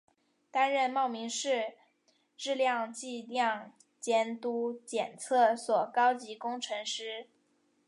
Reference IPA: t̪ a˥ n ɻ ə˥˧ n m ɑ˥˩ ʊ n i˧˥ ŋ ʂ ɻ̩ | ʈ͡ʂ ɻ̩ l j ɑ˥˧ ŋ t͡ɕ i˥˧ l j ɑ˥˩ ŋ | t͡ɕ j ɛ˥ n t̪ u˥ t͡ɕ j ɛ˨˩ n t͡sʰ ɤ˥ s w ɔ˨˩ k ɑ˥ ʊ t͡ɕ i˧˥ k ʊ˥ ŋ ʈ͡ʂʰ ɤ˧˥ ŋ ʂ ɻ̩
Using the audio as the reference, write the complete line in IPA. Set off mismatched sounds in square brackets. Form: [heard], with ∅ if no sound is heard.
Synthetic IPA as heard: t̪ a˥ n ɻ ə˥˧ n m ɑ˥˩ ʊ [m] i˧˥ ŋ ʂ ɻ̩ | ʈ͡ʂ ɻ̩ l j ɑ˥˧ ŋ t͡ɕ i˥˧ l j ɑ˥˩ ŋ | t͡ɕ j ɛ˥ n t̪ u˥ t͡ɕ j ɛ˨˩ n t͡sʰ [ɤ˥˩] s w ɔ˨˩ k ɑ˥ ʊ t͡ɕ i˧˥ k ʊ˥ ŋ ʈ͡ʂʰ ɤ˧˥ ŋ ʂ ɻ̩

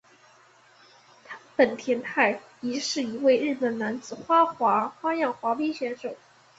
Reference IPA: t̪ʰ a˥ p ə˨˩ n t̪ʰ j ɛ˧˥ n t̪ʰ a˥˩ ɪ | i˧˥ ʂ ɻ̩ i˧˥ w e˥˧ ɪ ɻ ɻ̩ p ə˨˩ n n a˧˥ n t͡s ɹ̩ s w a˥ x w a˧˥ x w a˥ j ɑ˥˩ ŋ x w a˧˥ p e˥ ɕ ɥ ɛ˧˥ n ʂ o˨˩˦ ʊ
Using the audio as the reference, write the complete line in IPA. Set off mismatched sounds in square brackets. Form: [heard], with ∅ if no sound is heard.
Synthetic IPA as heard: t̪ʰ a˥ p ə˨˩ n t̪ʰ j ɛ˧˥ n t̪ʰ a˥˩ ɪ | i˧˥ ʂ ɻ̩ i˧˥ w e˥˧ ɪ ɻ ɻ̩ p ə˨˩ n n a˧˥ n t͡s ɹ̩ [x] w a˥ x w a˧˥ x w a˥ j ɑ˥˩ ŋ x w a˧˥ p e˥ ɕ ɥ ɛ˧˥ n ʂ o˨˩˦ ʊ

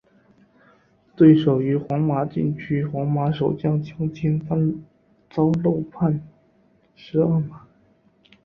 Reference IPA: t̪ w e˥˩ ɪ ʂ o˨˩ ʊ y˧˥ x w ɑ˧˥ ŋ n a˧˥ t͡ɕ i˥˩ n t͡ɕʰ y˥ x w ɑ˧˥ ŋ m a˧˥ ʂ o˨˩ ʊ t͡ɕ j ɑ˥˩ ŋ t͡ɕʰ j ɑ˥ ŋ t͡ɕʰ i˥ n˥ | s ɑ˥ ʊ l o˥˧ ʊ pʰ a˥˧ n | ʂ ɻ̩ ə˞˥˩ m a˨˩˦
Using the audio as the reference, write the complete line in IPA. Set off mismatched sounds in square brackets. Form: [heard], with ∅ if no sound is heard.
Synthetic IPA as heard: t̪ w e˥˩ ɪ ʂ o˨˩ ʊ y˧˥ x w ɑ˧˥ ŋ [m] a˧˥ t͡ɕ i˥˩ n t͡ɕʰ y˥ x w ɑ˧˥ ŋ m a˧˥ ʂ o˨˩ ʊ t͡ɕ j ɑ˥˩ ŋ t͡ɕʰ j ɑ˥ ŋ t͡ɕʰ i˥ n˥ | [t͡s] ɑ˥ ʊ l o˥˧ ʊ pʰ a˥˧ n | ʂ ɻ̩ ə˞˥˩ m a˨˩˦

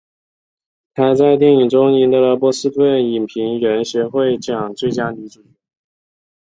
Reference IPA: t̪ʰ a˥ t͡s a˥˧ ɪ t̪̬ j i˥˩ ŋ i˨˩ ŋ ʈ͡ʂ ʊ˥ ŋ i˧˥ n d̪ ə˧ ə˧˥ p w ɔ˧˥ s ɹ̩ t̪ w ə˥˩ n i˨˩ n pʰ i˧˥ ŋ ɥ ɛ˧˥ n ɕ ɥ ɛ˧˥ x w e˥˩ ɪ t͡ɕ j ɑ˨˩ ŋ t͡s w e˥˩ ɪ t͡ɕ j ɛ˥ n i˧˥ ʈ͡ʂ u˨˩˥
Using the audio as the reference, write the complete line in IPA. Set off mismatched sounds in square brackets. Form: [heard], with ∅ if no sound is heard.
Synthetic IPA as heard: t̪ʰ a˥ t͡s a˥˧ ɪ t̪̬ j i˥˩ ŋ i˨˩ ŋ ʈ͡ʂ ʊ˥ ŋ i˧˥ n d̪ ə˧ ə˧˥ p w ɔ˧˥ s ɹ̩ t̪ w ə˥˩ n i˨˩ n pʰ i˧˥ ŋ ɥ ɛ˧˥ n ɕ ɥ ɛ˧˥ x w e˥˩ ɪ t͡ɕ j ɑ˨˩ ŋ t͡s w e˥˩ ɪ t͡ɕ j [a˥] n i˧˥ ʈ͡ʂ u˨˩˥

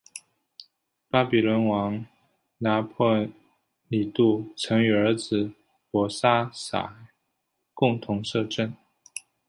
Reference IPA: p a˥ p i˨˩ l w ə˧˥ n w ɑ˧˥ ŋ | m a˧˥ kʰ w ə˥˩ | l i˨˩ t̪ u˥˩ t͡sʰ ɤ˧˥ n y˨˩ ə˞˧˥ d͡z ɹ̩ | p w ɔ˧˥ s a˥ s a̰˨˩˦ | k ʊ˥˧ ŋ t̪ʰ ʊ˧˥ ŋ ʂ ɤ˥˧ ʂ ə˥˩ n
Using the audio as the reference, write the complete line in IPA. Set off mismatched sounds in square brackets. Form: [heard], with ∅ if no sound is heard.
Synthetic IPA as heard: p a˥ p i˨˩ l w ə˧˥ n w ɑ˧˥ ŋ | [n] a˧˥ [pʰ] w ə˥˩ | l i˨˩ t̪ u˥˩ t͡sʰ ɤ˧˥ [ŋ] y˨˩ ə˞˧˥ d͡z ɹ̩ | p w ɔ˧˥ s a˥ s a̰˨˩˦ | k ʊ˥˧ ŋ t̪ʰ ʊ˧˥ ŋ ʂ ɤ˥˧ [ʈ͡ʂ] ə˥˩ n

